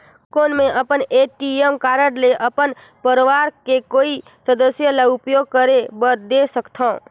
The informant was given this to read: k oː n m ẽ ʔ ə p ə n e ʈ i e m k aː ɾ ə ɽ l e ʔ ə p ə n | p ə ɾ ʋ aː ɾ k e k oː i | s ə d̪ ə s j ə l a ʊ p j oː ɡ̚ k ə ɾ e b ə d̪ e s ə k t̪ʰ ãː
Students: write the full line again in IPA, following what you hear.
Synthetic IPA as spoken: k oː n m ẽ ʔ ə p ə n e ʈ i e m k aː ɾ ə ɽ l e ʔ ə p ə n | p ə ɾ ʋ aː ɾ k e k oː i | s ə d̪ ə s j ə l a ʊ p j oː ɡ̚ k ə ɾ e b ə d̪ e s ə k t̪ʰ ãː